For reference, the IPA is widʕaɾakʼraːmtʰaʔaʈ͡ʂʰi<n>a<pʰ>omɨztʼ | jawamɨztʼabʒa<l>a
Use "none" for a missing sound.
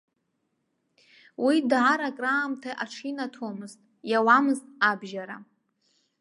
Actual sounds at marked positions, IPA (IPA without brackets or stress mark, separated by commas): n, tʰ, ɾ